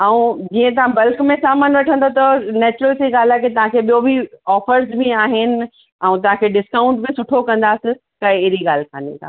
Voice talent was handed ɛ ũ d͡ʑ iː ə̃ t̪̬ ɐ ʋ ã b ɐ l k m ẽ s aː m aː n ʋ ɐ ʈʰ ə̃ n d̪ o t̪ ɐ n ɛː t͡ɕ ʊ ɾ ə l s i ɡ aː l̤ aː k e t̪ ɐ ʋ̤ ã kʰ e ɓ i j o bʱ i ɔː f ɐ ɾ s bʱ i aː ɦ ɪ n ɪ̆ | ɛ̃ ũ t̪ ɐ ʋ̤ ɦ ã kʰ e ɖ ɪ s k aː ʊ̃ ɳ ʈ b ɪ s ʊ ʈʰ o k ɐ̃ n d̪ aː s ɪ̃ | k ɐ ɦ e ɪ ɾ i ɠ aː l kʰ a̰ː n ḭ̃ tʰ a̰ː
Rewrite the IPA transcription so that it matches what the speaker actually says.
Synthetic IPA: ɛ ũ d͡ʑ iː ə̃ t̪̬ ɐ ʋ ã b ɐ l k m ẽ s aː m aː n ʋ ɐ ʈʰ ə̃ n d̪ o t̪ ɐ n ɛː t͡ɕ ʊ ɾ ə l s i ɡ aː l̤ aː k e t̪ ɐ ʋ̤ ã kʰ e ɓ i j o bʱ i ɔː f ə ɾ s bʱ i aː ɦ ɪ n ɪ̆ | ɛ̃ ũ t̪ ɐ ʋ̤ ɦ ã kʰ e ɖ ɪ s k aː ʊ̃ ɳ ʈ b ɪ s ʊ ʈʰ o k ɐ̃ n d̪ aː s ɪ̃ | k ɐ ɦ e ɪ ɾ i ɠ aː l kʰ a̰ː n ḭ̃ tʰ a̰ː